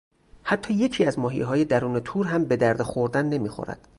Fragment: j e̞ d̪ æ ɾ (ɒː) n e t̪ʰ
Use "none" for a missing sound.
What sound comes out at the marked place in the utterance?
uː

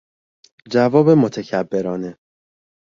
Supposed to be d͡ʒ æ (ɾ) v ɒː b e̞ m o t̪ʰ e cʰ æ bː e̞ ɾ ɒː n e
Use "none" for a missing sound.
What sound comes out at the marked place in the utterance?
none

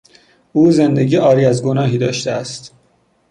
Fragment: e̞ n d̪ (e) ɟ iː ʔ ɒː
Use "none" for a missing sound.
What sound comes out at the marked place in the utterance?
e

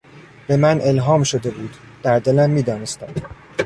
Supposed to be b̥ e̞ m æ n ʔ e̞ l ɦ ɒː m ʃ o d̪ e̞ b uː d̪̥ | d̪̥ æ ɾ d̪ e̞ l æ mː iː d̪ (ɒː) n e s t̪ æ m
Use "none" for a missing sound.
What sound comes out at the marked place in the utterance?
ɒː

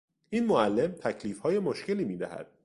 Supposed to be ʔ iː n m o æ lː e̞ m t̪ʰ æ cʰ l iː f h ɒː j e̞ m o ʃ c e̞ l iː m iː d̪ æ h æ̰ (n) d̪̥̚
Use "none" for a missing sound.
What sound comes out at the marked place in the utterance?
none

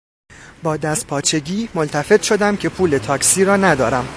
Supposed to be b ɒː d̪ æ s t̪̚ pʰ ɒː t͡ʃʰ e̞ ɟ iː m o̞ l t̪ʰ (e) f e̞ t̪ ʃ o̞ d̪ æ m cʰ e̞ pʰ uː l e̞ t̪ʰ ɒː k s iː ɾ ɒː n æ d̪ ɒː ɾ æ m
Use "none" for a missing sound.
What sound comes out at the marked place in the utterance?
æ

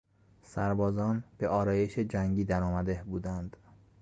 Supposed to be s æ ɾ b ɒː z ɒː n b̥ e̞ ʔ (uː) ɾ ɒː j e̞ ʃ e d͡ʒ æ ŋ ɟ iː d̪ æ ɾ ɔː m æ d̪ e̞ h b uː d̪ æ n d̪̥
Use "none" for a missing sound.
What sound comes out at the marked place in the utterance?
ɒː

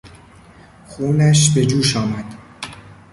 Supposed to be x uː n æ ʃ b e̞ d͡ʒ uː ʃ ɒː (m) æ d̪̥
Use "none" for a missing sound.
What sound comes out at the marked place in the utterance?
m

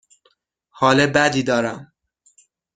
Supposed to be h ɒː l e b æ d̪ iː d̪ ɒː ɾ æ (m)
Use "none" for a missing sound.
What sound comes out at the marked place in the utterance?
m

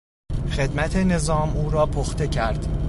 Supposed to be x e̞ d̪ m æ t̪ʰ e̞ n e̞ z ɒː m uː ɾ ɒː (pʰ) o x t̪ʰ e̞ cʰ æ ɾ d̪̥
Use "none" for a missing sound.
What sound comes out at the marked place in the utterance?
pʰ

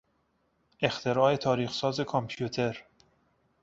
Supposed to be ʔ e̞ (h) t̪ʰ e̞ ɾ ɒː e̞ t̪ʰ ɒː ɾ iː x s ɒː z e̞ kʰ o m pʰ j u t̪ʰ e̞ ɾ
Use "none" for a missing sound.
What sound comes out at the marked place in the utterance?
x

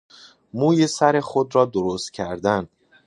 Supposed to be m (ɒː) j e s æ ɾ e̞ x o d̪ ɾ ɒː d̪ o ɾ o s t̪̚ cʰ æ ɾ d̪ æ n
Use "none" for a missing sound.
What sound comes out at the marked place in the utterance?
uː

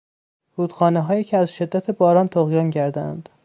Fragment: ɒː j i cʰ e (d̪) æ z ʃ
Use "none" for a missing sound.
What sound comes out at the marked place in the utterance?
none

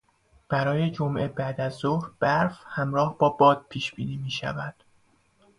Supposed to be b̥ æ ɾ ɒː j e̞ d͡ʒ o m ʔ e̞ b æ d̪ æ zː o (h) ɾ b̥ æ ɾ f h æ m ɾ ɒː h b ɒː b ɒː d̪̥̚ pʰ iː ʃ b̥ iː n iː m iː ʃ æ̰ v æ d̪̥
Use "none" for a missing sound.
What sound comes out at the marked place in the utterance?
h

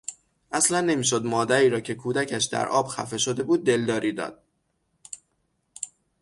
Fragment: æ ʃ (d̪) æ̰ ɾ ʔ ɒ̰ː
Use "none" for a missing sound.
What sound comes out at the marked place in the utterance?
d̪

